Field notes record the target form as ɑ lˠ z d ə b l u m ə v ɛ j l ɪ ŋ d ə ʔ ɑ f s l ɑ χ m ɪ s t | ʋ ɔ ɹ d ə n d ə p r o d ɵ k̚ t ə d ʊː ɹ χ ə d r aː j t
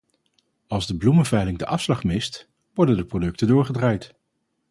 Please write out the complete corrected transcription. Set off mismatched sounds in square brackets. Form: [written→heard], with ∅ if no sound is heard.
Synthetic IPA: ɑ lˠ z d ə b l u m ə v ɛ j l ɪ ŋ d ə ʔ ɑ f s l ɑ χ m ɪ s t | ʋ ɔ ɹ d ə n d ə p r o d ɵ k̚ t ə d ʊː ɹ χ ə d r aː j t

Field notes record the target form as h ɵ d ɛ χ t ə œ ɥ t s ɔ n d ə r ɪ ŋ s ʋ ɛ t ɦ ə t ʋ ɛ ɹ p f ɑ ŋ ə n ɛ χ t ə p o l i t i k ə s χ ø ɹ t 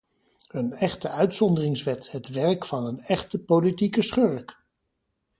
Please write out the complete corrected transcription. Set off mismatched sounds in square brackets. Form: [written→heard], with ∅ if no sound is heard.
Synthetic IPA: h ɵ [d→n] ɛ χ t ə œ ɥ t s ɔ n d ə r ɪ ŋ s ʋ ɛ t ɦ ə t ʋ ɛ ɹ [p→k] f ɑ [ŋ→n] ə n ɛ χ t ə p o l i t i k ə s χ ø ɹ [t→k]

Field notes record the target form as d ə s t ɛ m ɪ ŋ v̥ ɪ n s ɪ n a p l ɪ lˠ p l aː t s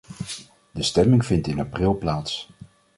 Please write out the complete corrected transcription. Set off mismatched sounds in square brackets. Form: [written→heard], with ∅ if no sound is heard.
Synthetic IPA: d ə s t ɛ m ɪ ŋ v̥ ɪ n [s→t] ɪ n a p [l→r] ɪ lˠ p l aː t s

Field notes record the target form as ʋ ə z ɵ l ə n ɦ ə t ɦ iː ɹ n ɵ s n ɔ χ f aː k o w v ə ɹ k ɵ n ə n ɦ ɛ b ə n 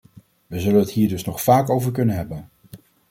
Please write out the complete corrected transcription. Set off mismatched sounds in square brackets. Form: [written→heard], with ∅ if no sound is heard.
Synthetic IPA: ʋ ə z ɵ l ə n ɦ ə t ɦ iː ɹ [n→d] ɵ s n ɔ χ f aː k o w v ə ɹ k ɵ n ə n ɦ ɛ b ə n

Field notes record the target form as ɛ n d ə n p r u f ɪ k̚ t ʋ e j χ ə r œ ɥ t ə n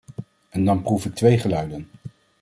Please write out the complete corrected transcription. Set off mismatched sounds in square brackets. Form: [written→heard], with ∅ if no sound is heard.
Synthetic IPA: ɛ n d [ə→ɑ] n p r u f ɪ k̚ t ʋ e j χ ə [r→l] œ ɥ [t→d] ə n

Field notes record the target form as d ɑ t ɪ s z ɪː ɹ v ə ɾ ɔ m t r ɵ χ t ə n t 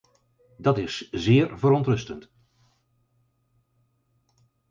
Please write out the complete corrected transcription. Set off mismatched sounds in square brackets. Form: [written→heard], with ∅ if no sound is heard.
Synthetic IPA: d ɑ t ɪ s z ɪː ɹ v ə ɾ ɔ [m→n] t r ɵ [χ→s] t ə n t

